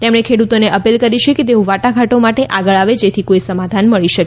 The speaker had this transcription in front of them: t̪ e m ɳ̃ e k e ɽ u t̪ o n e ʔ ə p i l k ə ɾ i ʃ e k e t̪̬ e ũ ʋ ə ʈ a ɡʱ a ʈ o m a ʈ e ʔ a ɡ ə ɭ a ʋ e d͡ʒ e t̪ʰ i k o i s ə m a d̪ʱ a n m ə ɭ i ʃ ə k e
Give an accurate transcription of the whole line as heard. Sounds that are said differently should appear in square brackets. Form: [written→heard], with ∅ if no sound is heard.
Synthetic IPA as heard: t̪ e m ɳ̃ e [k→kʰ] e ɽ u t̪ o n e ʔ ə p i l k ə ɾ i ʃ e k e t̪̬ e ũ ʋ [ə→a] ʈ a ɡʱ a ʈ o m a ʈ e ʔ a ɡ ə ɭ a ʋ e d͡ʒ e t̪ʰ i k o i s ə m a d̪ʱ a n m ə ɭ i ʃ ə k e